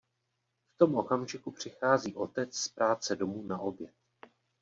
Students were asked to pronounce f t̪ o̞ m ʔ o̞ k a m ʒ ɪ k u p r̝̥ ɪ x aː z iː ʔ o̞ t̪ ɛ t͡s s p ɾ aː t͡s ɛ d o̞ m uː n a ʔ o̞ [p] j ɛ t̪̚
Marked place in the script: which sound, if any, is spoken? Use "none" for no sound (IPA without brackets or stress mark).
b